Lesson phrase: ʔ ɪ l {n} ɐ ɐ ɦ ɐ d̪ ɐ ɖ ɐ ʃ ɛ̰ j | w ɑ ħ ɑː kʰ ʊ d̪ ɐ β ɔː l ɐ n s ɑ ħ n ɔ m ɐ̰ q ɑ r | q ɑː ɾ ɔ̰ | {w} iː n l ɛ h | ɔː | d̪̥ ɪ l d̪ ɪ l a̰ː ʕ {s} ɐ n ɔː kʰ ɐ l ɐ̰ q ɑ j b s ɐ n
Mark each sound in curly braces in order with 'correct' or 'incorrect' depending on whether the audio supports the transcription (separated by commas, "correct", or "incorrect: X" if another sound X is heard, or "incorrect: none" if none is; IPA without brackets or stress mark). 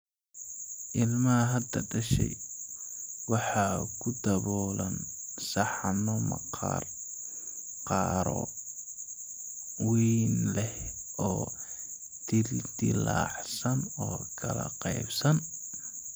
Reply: incorrect: m, correct, correct